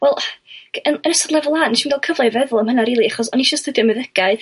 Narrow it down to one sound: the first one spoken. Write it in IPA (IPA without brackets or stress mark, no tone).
w